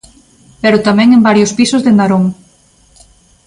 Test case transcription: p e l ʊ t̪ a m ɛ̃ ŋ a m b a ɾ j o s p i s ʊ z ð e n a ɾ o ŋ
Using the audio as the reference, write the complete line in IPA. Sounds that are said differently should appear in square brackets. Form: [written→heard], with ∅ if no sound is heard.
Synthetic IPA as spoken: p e [l→ɾ] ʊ t̪ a m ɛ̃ ŋ [a→e] m b a ɾ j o s p i s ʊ z ð e n a ɾ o ŋ